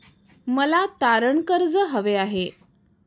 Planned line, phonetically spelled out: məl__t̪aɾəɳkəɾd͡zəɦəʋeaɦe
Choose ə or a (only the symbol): a